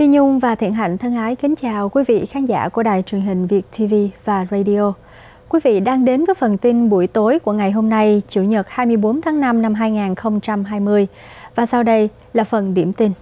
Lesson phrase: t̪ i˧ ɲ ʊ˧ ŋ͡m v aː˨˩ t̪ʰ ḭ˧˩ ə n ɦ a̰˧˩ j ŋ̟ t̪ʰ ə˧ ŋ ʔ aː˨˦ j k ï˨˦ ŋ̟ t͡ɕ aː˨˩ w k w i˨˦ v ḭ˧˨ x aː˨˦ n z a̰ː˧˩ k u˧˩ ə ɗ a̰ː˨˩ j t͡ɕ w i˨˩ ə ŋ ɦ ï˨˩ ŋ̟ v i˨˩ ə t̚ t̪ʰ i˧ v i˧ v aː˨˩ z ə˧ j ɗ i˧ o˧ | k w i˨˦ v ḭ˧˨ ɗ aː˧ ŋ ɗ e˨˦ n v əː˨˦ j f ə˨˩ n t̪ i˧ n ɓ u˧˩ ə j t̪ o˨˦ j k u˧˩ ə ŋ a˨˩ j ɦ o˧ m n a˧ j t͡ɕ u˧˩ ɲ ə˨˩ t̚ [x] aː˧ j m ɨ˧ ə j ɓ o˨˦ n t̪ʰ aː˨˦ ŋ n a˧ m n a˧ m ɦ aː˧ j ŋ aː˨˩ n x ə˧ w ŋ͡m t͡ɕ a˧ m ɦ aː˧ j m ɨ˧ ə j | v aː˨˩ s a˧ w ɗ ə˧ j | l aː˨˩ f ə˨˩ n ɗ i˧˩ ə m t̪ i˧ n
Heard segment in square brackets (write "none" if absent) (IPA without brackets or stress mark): h